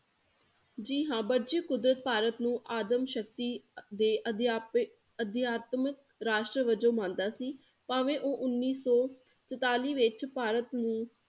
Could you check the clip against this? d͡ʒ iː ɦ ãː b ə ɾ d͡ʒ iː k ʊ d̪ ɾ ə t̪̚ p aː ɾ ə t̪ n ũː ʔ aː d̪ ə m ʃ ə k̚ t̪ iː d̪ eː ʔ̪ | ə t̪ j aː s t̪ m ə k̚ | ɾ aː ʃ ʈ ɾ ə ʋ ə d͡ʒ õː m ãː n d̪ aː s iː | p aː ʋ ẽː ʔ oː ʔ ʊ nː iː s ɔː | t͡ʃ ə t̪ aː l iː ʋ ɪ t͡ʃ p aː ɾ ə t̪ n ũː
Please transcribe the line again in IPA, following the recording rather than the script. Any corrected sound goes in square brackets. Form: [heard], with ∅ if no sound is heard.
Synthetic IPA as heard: d͡ʒ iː ɦ ãː b ə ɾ d͡ʒ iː k ʊ d̪ ɾ ə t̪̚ p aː ɾ ə t̪ n ũː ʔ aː d̪ ə m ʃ ə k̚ t̪ iː d̪ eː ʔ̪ | ə [d̪] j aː [∅] t̪ m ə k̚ | ɾ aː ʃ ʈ ɾ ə ʋ ə d͡ʒ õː m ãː n d̪ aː s iː | p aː ʋ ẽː ʔ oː ʔ ʊ nː iː s ɔː | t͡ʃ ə t̪ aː l iː ʋ ɪ t͡ʃ p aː ɾ ə t̪ n ũː